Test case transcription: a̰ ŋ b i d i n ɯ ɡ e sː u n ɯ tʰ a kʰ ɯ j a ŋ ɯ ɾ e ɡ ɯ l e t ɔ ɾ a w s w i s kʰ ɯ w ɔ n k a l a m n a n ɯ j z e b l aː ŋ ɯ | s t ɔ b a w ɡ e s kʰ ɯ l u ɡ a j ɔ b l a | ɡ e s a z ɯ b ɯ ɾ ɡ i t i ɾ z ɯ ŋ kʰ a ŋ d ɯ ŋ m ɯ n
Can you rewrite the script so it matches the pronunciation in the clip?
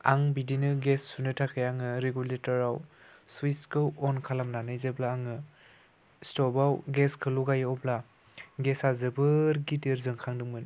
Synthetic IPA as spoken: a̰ ŋ b i d i n ɯ ɡ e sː u n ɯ tʰ a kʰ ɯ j a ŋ ɯ ɾ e ɡ u l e t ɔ ɾ a w s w i s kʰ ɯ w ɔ n kʰ a l a m n a n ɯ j z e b l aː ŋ ɯ | s t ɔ b a w ɡ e s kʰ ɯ l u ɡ a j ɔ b l a | ɡ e s a z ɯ b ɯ ɾ ɡ i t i ɾ z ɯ ŋ kʰ a ŋ d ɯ ŋ m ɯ n